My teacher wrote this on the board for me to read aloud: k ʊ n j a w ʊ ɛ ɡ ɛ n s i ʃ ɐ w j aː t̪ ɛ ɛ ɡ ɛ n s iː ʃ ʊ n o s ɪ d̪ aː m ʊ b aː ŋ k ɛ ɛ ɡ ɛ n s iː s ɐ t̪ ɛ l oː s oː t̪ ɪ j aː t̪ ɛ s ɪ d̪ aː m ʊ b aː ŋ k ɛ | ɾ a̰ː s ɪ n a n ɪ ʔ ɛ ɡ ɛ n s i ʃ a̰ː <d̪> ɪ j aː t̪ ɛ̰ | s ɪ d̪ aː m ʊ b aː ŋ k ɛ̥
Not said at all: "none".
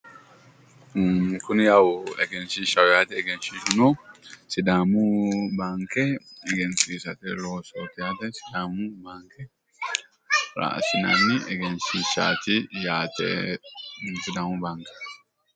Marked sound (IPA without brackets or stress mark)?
t̪